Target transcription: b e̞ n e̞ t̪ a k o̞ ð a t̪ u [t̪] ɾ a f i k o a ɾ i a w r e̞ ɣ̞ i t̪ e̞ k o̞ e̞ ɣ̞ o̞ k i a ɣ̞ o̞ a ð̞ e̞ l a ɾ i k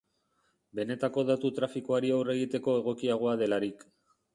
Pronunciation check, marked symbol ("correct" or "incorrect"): correct